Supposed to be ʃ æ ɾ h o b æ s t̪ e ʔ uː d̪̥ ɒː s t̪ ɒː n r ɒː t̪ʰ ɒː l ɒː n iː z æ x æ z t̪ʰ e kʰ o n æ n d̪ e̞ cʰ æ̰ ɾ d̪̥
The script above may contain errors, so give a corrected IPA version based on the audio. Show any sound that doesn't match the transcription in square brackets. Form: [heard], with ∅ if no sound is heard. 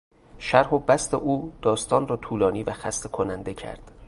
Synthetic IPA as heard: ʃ æ ɾ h o b æ s t̪ e ʔ uː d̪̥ ɒː s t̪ ɒː n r ɒː t̪ʰ [uː] l ɒː n iː [v] æ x æ [s] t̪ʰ e kʰ o n æ n d̪ e̞ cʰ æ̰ ɾ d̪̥